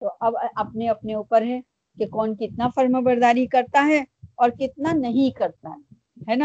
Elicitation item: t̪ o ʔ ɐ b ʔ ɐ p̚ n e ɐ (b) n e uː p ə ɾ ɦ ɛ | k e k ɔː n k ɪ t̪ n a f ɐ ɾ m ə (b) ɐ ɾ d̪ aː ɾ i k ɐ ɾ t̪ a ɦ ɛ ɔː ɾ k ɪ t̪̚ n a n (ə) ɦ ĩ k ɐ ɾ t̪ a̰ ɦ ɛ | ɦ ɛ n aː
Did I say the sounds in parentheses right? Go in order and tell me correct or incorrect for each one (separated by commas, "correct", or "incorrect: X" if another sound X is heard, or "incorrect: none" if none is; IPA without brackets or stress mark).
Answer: incorrect: p, correct, incorrect: ɐ